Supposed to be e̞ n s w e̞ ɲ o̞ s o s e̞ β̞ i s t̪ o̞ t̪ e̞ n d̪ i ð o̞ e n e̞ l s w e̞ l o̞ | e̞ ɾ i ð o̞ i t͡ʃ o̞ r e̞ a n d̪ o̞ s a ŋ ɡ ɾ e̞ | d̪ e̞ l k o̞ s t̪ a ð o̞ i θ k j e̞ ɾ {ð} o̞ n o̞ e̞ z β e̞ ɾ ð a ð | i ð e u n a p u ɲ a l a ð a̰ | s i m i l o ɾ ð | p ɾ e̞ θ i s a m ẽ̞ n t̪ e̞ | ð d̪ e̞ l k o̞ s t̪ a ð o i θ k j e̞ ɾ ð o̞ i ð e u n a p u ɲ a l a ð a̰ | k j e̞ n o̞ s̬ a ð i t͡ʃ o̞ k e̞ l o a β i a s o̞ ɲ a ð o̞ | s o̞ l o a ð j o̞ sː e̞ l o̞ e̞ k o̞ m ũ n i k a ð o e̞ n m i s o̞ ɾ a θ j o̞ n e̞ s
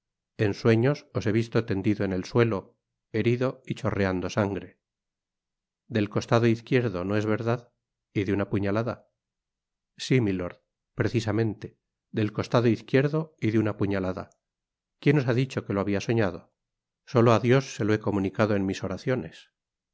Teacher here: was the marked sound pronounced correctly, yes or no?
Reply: yes